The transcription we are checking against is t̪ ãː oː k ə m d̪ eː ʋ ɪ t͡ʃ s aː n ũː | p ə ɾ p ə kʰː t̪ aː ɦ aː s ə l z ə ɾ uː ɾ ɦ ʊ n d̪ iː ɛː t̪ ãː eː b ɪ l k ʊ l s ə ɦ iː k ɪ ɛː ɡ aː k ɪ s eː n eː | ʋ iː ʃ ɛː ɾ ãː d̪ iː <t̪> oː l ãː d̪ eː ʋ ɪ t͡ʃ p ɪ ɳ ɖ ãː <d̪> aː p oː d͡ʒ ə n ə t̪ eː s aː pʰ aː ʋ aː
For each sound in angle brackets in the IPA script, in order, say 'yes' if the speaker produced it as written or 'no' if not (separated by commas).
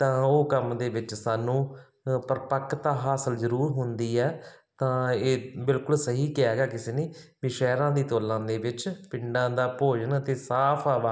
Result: yes, yes